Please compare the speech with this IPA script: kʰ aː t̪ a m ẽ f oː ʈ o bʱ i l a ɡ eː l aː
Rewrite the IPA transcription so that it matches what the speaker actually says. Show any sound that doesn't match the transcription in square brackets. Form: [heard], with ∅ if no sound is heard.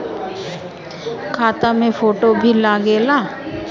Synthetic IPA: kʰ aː t̪ a m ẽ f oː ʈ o bʱ i l a ɡ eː l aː